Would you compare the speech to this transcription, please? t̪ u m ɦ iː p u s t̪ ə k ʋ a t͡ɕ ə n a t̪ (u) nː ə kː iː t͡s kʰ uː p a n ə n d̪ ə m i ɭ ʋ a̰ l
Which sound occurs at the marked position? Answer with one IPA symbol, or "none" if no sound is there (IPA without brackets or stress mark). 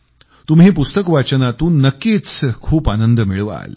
uː